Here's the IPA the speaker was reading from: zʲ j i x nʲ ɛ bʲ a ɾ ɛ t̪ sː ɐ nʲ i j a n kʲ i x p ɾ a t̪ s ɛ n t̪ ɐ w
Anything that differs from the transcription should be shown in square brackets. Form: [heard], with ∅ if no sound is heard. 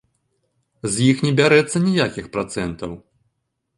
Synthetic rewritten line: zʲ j i x nʲ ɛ bʲ a ɾ ɛ t̪ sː ɐ nʲ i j a [∅] kʲ i x p ɾ a t̪ s ɛ n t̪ ɐ w